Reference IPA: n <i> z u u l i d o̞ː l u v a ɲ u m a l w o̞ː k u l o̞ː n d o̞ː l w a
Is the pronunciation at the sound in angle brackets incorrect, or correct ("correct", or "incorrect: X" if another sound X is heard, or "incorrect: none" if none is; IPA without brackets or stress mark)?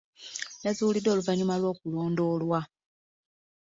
incorrect: a